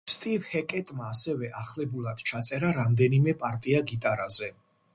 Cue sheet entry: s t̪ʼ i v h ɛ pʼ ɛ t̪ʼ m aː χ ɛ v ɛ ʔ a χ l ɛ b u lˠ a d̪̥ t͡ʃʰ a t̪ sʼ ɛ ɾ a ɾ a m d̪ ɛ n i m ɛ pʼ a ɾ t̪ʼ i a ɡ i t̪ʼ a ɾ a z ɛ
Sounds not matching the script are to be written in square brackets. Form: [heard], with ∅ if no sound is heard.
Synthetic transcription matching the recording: s t̪ʼ i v h ɛ [kʼ] ɛ t̪ʼ m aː [s] ɛ v ɛ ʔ a χ l ɛ b u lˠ a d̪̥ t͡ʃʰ a t̪ sʼ ɛ ɾ a ɾ a m d̪ ɛ n i m ɛ pʼ a ɾ t̪ʼ i a ɡ i t̪ʼ a ɾ a z ɛ